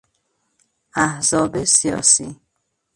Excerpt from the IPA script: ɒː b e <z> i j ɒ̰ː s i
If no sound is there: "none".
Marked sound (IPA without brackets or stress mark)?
s